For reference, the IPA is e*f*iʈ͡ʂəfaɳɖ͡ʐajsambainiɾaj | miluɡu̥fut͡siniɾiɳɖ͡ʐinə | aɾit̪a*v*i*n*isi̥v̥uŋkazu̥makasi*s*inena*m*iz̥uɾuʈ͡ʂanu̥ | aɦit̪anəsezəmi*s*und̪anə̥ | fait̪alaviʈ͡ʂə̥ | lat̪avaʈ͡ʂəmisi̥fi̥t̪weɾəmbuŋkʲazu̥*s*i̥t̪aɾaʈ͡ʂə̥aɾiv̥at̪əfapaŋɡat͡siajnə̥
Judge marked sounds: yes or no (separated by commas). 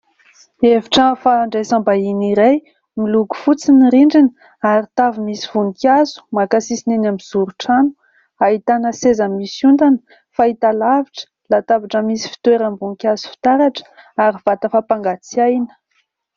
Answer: no, yes, no, yes, yes, yes, no